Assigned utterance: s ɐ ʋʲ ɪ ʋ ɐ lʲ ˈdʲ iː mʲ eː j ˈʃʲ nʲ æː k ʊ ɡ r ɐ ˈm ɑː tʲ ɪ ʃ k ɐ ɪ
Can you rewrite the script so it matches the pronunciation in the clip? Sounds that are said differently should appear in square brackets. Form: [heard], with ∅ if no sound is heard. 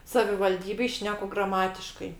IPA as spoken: s ɐ ʋʲ ɪ ʋ ɐ lʲ ˈdʲ iː [bʲ] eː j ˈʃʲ nʲ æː k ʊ ɡ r ɐ ˈm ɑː tʲ ɪ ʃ k ɐ ɪ